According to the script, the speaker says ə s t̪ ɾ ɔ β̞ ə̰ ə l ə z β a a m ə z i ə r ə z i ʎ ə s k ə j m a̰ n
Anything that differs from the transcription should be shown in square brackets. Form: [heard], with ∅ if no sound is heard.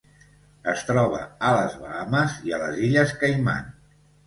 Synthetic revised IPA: ə s t̪ ɾ ɔ β̞ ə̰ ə l ə z β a a m ə z i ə [l] ə z i ʎ ə s k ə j m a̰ n